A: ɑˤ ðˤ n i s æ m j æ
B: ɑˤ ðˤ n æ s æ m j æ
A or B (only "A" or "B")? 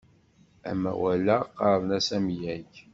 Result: B